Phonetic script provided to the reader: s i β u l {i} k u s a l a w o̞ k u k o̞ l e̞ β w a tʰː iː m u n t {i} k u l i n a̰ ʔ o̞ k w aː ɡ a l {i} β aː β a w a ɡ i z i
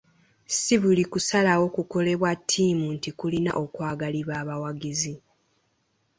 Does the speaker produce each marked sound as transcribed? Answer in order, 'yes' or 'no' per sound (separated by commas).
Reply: yes, yes, yes